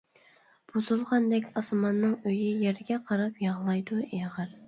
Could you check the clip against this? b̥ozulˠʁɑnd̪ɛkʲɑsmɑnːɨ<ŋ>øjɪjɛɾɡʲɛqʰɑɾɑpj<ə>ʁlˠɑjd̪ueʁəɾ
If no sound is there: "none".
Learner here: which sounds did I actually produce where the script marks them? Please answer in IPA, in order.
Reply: ŋ, ɑ

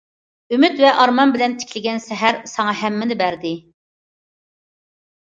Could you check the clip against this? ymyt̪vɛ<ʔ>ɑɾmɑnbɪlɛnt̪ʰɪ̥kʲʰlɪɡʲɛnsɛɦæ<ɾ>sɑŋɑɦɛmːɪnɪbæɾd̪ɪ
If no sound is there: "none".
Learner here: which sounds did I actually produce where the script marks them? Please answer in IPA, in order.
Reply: ʔ, ɾ

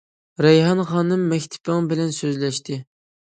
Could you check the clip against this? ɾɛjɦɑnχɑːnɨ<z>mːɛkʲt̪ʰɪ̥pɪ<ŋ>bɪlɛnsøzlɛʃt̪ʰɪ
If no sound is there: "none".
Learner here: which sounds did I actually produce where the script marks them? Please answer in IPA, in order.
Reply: none, ŋ

